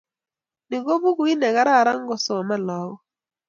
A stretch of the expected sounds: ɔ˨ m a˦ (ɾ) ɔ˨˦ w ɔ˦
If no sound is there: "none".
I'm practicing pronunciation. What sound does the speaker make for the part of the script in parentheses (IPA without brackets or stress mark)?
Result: l